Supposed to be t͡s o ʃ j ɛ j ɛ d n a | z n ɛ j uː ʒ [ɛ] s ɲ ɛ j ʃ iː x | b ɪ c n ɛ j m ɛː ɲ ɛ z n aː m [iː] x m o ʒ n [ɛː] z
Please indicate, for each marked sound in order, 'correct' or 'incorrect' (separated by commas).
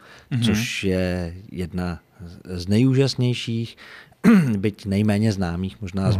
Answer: incorrect, correct, incorrect